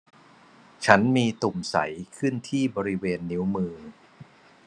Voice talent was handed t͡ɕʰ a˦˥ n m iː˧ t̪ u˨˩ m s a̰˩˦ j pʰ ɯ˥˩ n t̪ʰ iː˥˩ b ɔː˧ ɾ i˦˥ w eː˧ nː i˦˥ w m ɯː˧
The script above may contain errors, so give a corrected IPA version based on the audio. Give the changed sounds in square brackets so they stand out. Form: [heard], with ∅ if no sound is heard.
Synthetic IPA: t͡ɕʰ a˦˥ n m iː˧ t̪ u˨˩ m s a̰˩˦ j [kʰ] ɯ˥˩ n t̪ʰ iː˥˩ b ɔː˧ ɾ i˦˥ w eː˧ nː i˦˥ w m ɯː˧